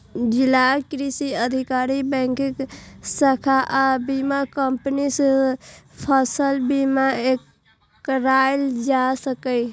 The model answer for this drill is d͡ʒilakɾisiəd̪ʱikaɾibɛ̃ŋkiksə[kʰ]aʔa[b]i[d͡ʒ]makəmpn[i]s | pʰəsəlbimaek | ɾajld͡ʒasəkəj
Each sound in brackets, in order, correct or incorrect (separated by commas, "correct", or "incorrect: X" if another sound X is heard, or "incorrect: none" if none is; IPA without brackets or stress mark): correct, correct, incorrect: none, correct